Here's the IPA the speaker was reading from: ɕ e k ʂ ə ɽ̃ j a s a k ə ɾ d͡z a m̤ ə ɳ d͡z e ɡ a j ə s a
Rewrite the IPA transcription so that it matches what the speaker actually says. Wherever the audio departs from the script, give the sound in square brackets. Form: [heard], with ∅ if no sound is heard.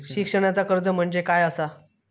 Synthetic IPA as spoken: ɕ [i] k ʂ ə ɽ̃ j a [t͡s] a k ə ɾ d͡z [ə] m̤ ə ɳ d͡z e [k] a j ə s a